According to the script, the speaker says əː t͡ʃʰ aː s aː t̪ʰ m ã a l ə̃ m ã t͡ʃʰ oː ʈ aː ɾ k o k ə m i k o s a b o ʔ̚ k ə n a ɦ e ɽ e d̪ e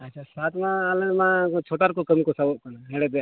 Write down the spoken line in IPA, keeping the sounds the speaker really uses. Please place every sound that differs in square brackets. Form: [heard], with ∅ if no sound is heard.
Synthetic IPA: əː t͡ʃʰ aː s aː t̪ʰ m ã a l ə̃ m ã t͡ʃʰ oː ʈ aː ɾ k o k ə m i k o s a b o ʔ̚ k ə n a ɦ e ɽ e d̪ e